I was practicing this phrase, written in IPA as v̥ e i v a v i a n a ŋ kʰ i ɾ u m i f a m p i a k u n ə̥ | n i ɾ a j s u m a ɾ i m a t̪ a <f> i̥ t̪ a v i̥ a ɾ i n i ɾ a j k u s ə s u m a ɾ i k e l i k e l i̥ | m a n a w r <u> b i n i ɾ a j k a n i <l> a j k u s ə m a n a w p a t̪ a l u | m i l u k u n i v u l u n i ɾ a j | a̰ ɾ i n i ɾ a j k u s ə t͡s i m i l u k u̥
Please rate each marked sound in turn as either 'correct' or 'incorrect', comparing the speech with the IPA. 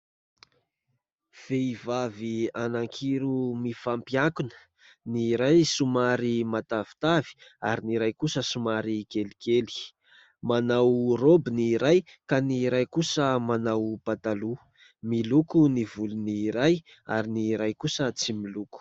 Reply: incorrect: v, incorrect: o, incorrect: ɾ

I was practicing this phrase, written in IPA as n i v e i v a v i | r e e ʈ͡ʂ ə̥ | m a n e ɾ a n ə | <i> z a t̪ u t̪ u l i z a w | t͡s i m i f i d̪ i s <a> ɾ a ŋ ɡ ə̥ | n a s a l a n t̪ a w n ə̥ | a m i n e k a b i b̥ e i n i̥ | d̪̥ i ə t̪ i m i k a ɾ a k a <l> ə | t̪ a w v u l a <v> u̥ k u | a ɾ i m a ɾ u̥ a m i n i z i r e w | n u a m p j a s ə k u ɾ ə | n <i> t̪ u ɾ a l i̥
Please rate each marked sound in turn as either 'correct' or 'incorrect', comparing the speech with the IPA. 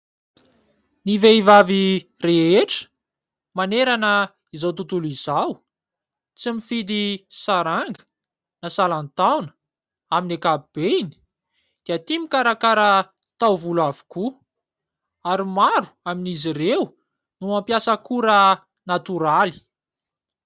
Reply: correct, correct, incorrect: ɾ, correct, incorrect: a

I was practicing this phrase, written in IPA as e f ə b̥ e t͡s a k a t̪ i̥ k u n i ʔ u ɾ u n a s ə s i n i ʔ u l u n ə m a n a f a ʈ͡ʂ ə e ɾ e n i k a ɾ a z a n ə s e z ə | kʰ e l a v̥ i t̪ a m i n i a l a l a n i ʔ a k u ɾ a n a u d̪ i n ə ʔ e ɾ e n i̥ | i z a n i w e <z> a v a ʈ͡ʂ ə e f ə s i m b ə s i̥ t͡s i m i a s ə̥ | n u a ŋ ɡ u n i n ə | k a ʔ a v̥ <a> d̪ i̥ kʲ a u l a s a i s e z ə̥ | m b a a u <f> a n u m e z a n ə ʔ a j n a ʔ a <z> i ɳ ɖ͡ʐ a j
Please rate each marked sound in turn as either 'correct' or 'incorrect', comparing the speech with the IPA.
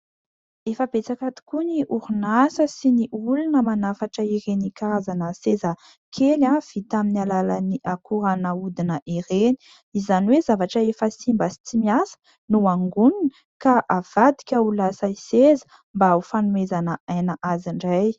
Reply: correct, correct, correct, correct

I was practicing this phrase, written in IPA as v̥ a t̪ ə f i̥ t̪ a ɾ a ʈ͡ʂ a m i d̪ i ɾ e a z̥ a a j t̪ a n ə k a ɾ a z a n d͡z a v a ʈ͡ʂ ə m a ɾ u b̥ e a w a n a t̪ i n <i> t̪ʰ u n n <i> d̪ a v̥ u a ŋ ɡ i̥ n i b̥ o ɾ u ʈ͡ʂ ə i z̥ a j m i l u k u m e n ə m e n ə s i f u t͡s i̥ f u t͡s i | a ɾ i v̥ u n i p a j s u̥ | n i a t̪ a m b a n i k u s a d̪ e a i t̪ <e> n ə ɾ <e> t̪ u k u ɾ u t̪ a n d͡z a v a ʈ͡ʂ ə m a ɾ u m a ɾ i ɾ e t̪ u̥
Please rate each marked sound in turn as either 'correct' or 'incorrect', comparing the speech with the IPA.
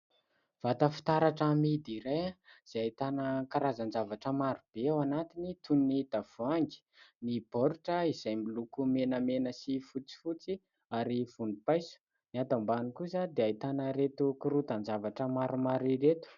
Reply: correct, correct, incorrect: a, correct

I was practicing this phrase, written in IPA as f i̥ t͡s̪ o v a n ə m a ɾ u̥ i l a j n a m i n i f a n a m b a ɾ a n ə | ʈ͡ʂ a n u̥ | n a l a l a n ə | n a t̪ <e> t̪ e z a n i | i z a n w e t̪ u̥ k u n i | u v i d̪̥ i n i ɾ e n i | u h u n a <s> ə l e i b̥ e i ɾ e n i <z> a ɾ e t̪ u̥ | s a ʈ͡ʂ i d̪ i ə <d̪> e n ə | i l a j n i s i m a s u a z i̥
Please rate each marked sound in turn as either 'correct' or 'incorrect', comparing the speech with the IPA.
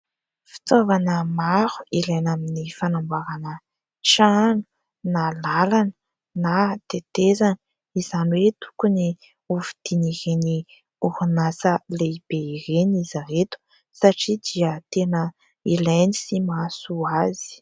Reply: correct, correct, correct, incorrect: t̪

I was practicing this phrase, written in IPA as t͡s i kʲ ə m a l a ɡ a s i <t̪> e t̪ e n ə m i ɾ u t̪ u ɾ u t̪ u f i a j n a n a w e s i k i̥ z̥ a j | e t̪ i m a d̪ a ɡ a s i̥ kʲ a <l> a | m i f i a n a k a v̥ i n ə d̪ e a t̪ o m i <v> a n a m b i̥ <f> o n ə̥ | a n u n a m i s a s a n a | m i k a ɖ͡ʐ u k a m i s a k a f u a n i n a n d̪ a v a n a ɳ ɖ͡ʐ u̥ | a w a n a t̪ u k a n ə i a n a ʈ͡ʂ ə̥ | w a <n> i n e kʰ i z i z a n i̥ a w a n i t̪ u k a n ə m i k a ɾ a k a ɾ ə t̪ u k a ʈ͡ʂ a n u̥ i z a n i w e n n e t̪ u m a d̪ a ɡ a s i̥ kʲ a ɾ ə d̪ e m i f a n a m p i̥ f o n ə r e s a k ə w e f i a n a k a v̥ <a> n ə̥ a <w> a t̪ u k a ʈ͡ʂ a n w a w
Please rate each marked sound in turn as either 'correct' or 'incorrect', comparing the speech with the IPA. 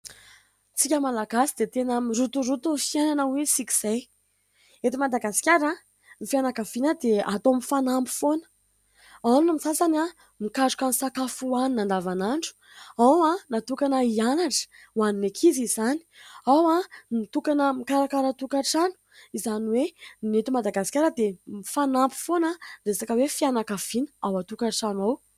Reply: incorrect: d̪, incorrect: ɾ, incorrect: f, correct, correct, incorrect: i, correct

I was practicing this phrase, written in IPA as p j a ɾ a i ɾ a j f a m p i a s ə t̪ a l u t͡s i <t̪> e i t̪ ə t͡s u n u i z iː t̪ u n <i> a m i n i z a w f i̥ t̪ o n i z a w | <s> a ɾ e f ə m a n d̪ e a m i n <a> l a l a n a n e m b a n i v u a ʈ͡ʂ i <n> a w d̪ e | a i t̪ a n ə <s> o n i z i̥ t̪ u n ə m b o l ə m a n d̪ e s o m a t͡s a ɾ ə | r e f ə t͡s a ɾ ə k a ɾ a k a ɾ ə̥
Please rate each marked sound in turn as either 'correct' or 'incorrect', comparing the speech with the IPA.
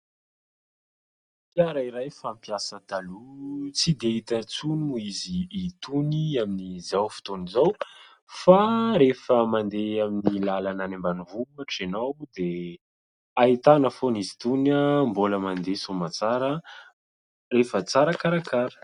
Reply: incorrect: d̪, correct, incorrect: f, incorrect: i, correct, incorrect: f

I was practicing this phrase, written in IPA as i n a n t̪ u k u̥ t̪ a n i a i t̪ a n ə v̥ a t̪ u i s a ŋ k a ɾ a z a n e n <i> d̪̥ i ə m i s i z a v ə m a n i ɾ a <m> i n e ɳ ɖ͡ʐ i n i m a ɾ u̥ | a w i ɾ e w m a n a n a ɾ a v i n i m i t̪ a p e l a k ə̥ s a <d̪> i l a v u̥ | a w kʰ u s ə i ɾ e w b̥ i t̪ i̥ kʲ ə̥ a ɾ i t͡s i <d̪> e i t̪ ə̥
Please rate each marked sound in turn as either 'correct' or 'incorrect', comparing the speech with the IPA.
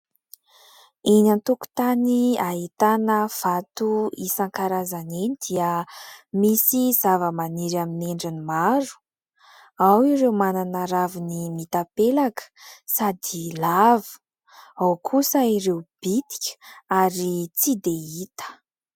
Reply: correct, correct, correct, correct

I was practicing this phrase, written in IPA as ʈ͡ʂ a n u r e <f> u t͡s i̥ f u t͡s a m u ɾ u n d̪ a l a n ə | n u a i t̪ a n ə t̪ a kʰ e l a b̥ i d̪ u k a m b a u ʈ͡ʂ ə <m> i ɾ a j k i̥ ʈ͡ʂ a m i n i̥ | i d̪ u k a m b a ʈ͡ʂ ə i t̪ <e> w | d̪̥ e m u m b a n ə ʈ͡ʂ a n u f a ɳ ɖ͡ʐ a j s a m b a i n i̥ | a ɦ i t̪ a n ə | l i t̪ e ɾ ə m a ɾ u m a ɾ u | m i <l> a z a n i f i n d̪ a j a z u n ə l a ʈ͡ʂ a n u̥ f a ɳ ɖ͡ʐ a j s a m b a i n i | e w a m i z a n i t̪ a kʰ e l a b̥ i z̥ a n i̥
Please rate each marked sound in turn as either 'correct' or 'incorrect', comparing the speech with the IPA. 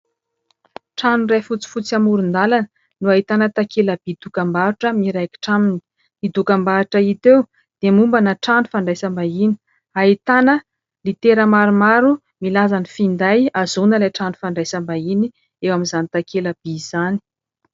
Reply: correct, correct, correct, correct

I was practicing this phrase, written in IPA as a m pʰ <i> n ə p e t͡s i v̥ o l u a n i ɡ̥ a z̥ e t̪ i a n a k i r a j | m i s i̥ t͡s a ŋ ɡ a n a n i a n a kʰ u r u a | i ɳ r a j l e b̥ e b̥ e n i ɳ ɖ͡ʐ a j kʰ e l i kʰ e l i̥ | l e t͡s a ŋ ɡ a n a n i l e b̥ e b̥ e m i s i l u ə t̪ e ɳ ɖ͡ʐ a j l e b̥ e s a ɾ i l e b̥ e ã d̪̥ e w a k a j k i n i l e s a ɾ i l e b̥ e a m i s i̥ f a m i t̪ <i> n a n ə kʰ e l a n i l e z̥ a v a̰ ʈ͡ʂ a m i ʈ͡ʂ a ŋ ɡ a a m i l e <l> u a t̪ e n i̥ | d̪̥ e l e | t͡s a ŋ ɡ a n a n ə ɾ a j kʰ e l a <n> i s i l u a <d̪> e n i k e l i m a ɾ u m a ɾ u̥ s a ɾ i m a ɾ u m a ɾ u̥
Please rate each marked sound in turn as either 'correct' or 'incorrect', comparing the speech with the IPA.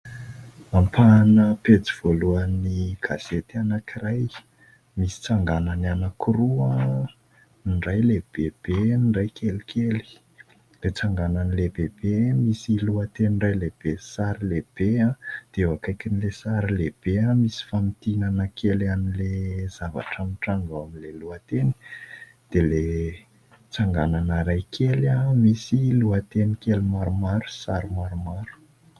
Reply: incorrect: a, correct, correct, incorrect: m, incorrect: t̪

